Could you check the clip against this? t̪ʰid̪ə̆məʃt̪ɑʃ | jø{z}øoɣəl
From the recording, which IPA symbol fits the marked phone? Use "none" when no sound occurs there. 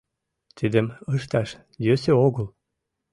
s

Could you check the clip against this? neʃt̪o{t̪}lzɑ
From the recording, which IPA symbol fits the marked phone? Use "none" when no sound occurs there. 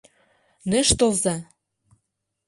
none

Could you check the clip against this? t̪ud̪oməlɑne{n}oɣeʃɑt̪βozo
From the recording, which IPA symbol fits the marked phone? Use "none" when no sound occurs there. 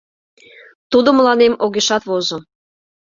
m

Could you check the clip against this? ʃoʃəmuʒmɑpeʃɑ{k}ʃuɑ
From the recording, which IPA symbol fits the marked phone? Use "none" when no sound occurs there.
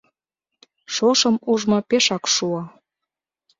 k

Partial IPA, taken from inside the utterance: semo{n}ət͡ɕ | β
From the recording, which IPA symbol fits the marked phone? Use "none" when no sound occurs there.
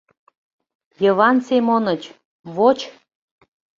n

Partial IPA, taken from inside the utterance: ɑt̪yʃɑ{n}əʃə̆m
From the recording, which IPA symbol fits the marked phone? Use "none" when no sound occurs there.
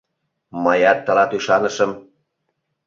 n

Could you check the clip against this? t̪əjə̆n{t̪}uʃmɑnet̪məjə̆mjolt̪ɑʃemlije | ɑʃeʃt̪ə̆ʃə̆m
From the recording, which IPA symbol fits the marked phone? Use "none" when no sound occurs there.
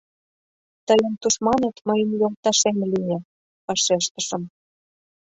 t̪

